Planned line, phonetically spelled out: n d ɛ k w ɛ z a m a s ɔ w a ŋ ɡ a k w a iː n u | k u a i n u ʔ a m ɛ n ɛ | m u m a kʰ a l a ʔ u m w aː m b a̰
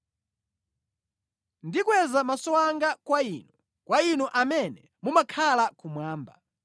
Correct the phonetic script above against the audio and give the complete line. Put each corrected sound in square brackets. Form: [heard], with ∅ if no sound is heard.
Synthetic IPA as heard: n d [i] k w ɛ z a m a s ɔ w a ŋ ɡ a k w a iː n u | k [w] a i n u ʔ a m ɛ n ɛ | m u m a kʰ a l a [k] u m w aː m b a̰